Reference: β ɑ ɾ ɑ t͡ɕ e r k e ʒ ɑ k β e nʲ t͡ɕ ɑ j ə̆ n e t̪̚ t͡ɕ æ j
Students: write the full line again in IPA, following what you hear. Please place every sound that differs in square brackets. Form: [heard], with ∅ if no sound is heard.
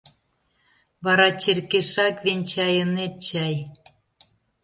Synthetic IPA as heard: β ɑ ɾ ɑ t͡ɕ e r k e [ʃ] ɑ k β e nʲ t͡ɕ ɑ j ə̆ n e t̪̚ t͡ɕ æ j

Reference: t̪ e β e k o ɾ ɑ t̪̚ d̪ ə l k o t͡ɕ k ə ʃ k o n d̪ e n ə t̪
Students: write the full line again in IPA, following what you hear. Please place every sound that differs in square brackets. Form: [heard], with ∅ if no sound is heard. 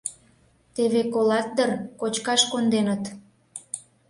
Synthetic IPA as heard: t̪ e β e k o [l] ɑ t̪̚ d̪ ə [r] k o t͡ɕ k [ɑ] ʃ k o n d̪ e n ə t̪

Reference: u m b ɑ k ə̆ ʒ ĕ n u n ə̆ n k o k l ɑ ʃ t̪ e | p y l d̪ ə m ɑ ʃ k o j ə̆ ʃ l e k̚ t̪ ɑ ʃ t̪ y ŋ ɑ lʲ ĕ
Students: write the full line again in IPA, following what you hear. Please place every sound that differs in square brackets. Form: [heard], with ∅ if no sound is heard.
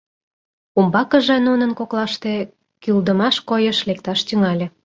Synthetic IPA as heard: u m b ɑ k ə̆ ʒ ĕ n u n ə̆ n k o k l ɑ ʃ t̪ e | [k] y l d̪ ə m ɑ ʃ k o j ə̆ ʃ l e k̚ t̪ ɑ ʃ t̪ y ŋ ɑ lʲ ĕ

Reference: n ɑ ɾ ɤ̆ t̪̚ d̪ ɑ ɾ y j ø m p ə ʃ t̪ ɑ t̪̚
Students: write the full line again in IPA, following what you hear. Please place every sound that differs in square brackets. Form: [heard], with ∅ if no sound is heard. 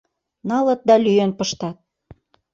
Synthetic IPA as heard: n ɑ [l] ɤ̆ t̪̚ d̪ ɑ [l] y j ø [n] p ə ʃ t̪ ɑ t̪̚

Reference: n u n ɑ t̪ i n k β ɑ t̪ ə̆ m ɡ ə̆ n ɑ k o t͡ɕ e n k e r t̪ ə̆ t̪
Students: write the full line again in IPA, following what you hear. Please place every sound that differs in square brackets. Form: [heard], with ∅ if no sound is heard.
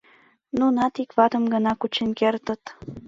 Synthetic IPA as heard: n u n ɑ t̪ i [∅] k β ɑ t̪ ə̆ m ɡ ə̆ n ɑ k [u] t͡ɕ e n k e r t̪ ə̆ t̪

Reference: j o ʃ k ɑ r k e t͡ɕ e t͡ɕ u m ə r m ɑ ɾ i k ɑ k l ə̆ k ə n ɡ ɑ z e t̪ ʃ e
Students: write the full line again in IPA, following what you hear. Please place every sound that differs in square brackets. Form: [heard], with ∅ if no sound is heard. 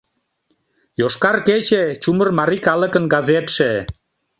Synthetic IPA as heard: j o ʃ k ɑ r k e t͡ɕ e t͡ɕ u m ə r m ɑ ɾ i k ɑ [∅] l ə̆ k ə n ɡ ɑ z e t̪ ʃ e

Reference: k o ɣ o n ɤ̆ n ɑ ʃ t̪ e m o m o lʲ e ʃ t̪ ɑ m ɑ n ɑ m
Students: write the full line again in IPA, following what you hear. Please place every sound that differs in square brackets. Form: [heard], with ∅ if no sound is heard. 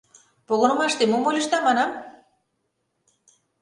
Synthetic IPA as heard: [p] o ɣ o n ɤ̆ [m] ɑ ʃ t̪ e m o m o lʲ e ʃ t̪ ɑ m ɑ n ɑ m

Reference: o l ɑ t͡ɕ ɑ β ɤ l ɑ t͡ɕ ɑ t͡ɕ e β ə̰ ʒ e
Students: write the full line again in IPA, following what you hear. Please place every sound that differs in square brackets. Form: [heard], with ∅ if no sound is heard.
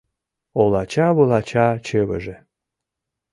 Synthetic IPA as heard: o l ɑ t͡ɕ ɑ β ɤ l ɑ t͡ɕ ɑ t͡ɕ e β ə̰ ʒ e

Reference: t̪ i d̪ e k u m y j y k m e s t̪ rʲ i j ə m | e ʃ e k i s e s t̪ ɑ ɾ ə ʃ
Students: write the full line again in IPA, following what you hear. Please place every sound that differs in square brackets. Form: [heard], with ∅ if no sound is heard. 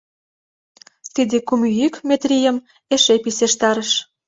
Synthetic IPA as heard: t̪ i d̪ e k u m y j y k m e [∅] t̪ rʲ i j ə m | e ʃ e [p] i s e [ʃ] t̪ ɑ ɾ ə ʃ

